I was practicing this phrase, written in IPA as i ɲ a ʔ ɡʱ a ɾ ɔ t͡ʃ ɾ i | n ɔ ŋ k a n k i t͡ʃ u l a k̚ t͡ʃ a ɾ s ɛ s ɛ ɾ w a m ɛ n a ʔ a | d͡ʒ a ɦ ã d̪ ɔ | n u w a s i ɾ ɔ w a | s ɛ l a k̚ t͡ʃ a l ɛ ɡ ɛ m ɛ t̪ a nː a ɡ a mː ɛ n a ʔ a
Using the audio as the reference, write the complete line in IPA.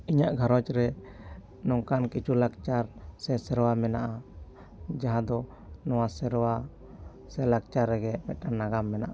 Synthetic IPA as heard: i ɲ a ʔ ɡʱ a ɾ ɔ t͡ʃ ɾ ɛ | n ɔ ŋ k a n k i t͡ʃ u l a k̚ t͡ʃ a ɾ s ɛ s ɛ ɾ w a m ɛ n a ʔ a | d͡ʒ a ɦ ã d̪ ɔ | n ɔ w a s ɛ ɾ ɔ w a | s ɛ l a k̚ t͡ʃ a ɾ ɛ ɡ ɛ m ɛ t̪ a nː a ɡ a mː ɛ n a ʔ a